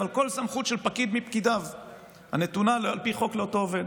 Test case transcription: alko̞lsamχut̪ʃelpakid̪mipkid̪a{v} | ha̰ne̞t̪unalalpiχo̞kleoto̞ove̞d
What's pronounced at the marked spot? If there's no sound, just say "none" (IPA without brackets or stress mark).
v